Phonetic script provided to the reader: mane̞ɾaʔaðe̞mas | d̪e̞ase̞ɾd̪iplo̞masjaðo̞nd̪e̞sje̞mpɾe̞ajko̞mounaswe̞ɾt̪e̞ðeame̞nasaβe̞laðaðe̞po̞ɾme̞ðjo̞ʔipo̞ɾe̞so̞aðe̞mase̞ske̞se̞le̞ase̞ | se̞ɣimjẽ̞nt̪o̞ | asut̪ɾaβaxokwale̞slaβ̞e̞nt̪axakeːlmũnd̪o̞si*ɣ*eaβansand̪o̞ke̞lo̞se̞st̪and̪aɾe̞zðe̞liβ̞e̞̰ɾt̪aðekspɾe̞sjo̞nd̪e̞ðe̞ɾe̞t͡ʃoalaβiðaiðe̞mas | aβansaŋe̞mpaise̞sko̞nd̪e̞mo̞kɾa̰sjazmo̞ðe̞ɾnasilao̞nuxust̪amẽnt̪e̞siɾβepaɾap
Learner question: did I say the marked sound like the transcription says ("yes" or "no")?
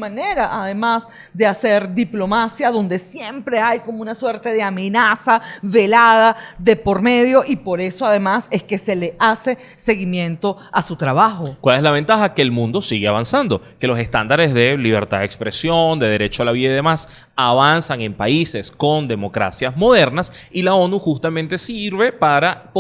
yes